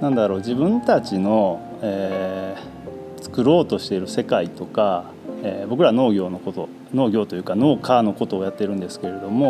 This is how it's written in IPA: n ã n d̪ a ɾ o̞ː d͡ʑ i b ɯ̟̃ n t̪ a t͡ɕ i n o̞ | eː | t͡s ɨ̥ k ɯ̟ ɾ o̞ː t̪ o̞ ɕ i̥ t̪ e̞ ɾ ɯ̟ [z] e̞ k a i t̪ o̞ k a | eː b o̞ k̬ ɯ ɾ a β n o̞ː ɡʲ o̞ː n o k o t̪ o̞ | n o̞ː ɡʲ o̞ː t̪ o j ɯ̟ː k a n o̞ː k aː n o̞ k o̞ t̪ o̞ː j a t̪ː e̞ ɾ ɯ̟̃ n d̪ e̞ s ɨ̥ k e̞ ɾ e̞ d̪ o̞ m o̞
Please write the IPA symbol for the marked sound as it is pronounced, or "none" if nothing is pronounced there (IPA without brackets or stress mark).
s